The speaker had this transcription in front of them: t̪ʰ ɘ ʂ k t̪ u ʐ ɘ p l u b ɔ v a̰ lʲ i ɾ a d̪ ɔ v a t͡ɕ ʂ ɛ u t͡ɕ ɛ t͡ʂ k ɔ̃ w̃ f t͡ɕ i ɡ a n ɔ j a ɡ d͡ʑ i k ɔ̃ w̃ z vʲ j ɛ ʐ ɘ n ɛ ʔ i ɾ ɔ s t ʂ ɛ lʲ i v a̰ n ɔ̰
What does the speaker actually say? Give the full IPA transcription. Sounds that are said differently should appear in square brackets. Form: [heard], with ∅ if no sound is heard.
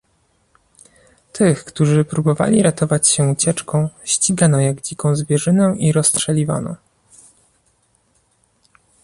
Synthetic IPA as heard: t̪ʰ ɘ [x] k t̪ u ʐ ɘ p [ɾ] u b ɔ v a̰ lʲ i ɾ a [t̪] ɔ v a t͡ɕ [ɕ] ɛ u t͡ɕ ɛ t͡ʂ k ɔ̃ w̃ [ɕ] t͡ɕ i ɡ a n ɔ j a ɡ d͡ʑ i k ɔ̃ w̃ z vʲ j ɛ ʐ ɘ n ɛ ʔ i ɾ ɔ s t ʂ ɛ lʲ i v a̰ n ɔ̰